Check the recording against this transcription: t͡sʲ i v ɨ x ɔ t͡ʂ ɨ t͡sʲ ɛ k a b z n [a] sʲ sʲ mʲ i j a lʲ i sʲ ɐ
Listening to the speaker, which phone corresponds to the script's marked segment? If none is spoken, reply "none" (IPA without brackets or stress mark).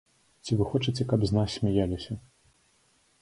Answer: a